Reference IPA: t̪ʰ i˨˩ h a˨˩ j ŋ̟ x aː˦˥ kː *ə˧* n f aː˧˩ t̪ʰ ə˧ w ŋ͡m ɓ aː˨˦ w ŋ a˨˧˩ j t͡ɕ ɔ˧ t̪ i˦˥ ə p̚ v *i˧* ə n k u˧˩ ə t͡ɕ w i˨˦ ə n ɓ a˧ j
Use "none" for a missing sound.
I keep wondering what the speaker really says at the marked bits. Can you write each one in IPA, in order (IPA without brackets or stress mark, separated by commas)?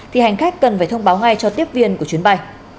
ə˨˩, i˧